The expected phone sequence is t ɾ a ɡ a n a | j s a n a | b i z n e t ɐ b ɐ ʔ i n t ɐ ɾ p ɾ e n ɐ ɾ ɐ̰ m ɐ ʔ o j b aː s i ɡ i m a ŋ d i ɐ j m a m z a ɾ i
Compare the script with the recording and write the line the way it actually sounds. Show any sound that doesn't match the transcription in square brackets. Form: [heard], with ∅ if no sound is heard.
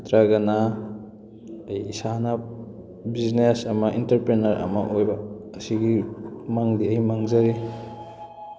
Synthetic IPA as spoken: t ɾ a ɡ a n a | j s a n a | b i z n e [s] ɐ [m] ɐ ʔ i n t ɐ ɾ p ɾ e n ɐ ɾ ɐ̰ m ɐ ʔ o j b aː s i ɡ i m a ŋ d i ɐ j m a [ŋ] z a ɾ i